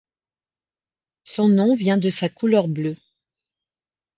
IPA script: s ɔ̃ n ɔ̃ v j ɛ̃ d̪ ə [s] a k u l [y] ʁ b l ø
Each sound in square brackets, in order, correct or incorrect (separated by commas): correct, incorrect